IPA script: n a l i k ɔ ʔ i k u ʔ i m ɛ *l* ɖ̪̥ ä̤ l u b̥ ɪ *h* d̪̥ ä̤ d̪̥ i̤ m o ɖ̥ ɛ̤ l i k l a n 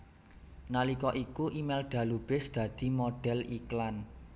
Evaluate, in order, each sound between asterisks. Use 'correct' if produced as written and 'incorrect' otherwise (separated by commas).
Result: correct, incorrect